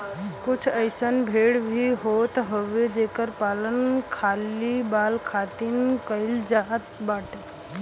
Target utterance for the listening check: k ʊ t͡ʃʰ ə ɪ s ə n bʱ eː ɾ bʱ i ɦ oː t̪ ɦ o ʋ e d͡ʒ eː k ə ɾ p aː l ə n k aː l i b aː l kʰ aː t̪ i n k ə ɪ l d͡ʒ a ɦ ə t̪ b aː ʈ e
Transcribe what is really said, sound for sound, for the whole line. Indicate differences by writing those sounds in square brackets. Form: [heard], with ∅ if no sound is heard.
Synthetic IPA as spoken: k ʊ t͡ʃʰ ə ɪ s ə n bʱ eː [ɽ] bʱ i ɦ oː t̪ ɦ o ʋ e d͡ʒ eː k ə ɾ p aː l ə n [kʰ] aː l i b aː l kʰ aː t̪ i n k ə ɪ l d͡ʒ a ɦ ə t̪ b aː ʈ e